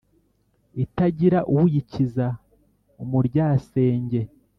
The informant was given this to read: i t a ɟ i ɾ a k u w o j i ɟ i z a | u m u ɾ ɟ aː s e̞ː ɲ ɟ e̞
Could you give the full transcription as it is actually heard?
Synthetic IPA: i t a ɟ i ɾ a ʔ u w u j i c i z a | u m u ɾ ɟ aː s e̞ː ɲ ɟ e̞